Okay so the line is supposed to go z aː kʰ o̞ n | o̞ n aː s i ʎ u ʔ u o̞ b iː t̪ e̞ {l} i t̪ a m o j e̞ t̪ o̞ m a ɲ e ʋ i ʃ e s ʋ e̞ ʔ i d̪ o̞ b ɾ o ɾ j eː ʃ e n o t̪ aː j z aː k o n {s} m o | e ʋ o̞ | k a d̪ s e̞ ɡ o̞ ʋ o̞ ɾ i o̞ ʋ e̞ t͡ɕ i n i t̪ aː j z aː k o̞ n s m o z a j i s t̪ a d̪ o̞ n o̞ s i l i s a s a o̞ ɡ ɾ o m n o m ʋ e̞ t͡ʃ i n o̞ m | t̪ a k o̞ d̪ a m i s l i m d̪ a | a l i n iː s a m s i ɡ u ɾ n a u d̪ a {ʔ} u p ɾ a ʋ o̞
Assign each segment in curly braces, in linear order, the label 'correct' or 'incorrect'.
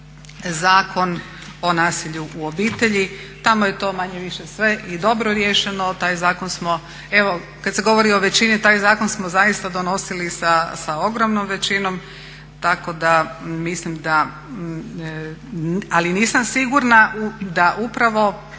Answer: incorrect: ʎ, correct, correct

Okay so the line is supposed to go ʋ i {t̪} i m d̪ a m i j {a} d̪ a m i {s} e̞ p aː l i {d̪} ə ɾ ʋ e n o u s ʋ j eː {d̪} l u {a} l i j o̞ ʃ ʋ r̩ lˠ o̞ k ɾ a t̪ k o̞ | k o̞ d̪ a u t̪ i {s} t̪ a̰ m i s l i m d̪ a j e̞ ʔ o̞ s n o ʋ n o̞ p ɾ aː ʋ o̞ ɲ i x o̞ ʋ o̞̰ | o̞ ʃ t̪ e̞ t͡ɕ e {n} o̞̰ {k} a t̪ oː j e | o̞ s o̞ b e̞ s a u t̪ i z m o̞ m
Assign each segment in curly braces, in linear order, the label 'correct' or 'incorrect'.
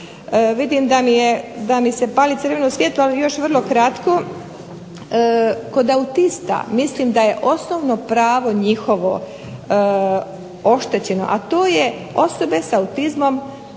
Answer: incorrect: d̪, incorrect: e, correct, incorrect: t̪, incorrect: t̪, correct, correct, correct, incorrect: ʔ

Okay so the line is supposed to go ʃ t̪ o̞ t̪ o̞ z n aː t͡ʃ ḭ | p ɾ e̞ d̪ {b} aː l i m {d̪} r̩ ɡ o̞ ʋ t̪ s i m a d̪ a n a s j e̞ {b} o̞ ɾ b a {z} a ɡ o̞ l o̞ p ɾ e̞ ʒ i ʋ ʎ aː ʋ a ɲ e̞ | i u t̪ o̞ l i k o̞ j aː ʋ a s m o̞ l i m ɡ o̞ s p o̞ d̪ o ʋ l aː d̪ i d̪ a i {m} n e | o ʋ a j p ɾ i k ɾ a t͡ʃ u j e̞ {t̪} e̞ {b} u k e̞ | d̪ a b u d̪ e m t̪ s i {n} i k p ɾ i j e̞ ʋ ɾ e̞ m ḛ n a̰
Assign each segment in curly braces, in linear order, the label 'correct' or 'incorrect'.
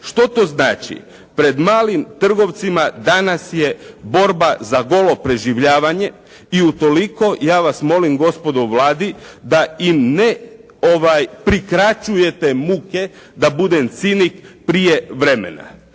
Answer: incorrect: m, incorrect: t̪, correct, correct, correct, correct, incorrect: m, correct

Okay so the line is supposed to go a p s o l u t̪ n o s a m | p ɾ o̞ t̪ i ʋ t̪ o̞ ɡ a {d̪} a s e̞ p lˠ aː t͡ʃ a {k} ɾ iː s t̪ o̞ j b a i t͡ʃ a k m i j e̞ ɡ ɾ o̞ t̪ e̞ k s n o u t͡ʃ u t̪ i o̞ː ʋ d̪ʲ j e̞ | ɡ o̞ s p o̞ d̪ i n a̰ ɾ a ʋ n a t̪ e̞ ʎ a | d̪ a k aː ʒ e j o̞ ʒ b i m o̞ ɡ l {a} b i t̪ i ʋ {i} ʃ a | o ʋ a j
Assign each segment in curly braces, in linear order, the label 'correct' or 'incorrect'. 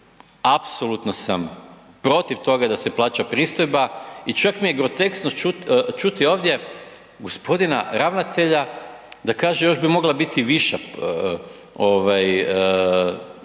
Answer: correct, incorrect: p, correct, correct

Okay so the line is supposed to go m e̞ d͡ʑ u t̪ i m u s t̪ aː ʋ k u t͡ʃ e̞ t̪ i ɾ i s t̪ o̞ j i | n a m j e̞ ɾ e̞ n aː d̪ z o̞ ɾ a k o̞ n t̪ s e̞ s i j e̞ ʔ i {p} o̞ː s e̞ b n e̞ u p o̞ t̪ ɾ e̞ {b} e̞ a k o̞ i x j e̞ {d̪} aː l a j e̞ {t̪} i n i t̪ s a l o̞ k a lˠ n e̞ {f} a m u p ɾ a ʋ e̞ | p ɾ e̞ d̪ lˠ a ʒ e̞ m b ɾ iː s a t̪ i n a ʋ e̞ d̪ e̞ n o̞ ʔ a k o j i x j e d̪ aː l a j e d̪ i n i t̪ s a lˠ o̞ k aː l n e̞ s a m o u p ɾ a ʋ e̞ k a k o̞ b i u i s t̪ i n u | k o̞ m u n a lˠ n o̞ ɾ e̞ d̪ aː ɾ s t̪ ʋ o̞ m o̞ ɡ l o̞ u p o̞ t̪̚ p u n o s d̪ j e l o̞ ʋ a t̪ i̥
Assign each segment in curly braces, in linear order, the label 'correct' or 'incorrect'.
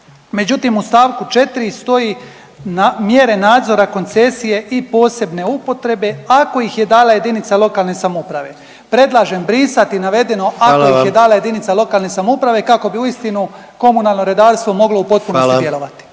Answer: correct, correct, correct, incorrect: d̪, incorrect: s

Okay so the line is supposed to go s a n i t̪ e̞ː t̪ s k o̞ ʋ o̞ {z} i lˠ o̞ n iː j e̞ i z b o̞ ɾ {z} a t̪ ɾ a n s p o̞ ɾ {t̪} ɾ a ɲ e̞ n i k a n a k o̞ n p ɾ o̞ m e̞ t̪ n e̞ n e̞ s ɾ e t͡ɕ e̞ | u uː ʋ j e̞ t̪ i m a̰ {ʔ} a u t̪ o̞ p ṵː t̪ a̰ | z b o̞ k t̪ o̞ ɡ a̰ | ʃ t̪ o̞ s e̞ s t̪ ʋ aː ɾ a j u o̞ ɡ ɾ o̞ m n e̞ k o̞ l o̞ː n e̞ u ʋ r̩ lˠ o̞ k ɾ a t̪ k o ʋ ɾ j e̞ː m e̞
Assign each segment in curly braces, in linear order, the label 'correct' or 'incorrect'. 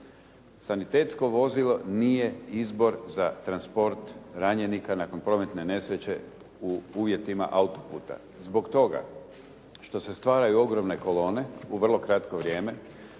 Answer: correct, correct, correct, correct

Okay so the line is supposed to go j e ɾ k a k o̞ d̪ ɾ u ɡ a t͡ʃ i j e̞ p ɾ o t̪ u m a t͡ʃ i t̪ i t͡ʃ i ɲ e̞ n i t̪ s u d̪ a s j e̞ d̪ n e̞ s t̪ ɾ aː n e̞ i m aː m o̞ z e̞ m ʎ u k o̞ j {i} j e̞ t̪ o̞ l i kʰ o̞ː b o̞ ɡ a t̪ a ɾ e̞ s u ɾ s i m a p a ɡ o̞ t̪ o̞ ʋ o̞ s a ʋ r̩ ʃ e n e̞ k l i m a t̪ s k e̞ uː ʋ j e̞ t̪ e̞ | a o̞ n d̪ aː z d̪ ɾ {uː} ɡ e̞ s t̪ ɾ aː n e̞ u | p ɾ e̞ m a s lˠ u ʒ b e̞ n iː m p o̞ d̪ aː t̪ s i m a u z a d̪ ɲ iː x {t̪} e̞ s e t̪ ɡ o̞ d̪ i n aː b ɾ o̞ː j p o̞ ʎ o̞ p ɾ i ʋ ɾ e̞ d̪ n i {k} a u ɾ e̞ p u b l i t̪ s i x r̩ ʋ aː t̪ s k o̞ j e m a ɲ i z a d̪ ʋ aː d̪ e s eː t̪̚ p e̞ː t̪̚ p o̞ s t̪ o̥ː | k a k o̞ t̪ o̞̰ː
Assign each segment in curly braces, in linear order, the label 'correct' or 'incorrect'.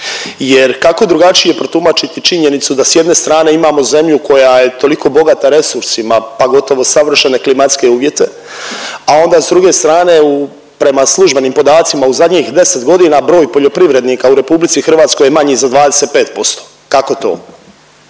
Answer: incorrect: a, incorrect: u, incorrect: d̪, correct

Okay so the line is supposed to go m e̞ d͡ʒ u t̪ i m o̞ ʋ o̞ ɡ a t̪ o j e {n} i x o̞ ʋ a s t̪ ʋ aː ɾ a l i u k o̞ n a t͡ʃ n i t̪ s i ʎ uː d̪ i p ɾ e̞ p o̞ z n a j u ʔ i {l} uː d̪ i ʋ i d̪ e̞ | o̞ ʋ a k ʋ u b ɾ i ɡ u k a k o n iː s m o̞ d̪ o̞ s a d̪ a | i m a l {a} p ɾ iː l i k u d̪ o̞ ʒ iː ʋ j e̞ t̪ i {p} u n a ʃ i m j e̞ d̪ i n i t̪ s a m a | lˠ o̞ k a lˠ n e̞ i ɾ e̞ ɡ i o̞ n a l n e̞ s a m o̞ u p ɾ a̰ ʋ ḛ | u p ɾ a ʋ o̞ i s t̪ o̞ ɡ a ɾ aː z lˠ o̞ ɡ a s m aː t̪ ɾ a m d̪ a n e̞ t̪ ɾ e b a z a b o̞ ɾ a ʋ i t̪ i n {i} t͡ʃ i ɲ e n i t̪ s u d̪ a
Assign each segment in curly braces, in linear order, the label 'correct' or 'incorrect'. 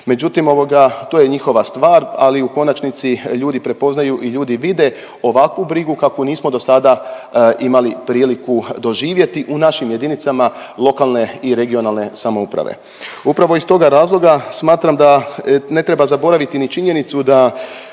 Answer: incorrect: ɲ, incorrect: ʎ, incorrect: i, incorrect: ʔ, correct

